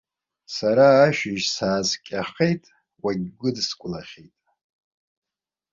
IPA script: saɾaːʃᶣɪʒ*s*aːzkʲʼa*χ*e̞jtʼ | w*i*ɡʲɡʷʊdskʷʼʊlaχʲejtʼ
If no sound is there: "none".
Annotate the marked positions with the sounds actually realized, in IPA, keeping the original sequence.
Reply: s, χ, a

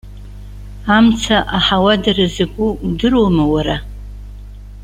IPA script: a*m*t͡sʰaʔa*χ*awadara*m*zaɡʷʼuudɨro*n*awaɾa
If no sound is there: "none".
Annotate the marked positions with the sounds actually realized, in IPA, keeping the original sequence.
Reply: m, ħ, none, m

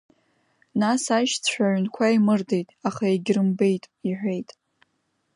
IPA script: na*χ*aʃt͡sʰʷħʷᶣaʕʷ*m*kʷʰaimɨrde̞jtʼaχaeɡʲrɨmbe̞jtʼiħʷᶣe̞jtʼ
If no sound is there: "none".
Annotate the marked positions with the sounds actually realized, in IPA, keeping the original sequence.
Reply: s, n

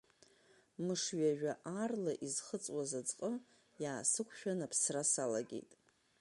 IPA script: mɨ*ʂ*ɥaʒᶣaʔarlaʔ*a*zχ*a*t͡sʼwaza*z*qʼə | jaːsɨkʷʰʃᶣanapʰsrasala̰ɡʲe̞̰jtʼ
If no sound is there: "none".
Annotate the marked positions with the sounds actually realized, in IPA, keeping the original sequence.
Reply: ʂ, i, ə, d͡z

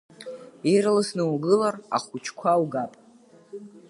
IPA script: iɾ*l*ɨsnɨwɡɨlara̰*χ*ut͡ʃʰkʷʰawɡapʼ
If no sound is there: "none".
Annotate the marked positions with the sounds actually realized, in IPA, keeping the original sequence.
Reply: l, χ

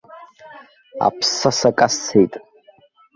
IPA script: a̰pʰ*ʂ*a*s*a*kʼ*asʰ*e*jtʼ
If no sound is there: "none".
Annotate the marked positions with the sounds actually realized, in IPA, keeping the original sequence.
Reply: s, s, kʼ, e

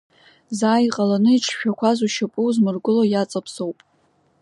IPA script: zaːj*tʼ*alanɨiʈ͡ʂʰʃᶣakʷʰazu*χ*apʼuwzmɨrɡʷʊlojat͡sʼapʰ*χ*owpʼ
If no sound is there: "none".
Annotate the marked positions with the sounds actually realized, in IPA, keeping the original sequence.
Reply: qʼ, ʃ, s

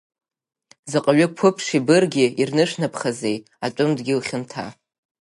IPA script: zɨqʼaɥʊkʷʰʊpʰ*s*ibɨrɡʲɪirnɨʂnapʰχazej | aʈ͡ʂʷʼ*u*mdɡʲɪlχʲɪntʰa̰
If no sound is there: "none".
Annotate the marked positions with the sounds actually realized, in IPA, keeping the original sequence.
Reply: ʂ, ʊ

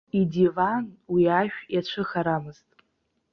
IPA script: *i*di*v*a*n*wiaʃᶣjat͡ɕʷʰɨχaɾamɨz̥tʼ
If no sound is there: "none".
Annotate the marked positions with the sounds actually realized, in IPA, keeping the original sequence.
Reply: i, v, n

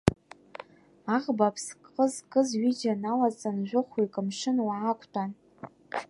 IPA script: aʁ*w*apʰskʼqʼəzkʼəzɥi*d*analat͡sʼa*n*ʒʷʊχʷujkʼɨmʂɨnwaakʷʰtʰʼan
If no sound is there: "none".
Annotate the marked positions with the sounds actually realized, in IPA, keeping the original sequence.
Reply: b, d͡ʒ, n

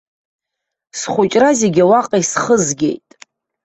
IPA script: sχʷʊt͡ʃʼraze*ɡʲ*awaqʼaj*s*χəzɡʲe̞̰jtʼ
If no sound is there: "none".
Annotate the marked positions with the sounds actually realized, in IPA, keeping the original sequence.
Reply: ɡʲ, s

